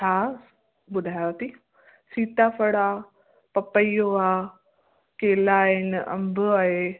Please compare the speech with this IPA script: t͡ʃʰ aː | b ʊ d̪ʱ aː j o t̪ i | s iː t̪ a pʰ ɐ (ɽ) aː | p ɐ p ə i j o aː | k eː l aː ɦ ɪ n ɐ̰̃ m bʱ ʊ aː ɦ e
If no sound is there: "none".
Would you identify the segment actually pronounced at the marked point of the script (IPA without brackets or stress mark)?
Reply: ɽ